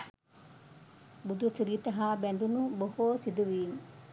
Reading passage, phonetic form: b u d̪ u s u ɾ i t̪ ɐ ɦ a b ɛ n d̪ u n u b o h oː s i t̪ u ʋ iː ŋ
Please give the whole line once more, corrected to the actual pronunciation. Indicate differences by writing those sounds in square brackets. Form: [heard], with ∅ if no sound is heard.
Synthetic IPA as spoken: b u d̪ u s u ɾ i t̪ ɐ ɦ a b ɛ n d̪ u n u b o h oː s i [d̪] u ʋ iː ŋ